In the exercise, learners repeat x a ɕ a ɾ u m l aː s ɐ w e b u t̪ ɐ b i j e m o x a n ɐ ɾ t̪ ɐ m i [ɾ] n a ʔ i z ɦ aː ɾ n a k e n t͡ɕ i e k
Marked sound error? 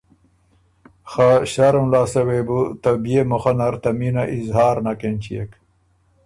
yes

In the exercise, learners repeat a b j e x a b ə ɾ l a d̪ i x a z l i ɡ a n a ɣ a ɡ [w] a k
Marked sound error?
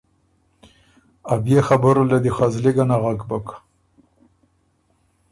yes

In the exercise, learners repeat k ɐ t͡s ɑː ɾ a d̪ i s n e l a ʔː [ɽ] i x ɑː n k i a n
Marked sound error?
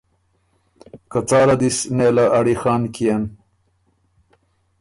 no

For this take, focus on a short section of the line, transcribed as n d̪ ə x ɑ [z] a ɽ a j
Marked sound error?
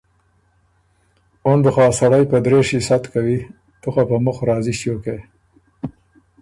yes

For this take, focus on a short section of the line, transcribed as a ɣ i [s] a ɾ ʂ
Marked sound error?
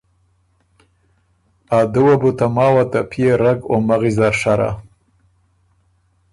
yes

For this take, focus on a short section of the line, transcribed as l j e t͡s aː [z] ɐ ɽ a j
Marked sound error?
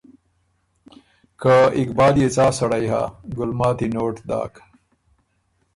yes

